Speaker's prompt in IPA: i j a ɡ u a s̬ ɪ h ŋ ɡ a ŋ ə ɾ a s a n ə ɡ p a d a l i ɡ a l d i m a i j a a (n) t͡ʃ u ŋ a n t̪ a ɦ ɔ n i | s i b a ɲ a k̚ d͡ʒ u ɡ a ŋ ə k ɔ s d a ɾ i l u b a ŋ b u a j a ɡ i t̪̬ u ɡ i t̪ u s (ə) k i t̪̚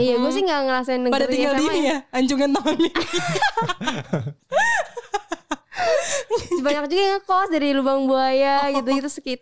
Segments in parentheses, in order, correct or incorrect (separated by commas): incorrect, correct